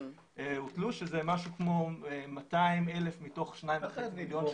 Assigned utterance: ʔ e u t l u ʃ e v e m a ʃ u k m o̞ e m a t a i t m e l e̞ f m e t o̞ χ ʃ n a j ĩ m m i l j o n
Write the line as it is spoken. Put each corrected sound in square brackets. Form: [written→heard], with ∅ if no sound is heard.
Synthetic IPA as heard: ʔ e u t l u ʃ e [v→z] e m a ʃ u k m o̞ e m a t a i [t→∅] m e l e̞ f m [e→i] t o̞ χ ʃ n a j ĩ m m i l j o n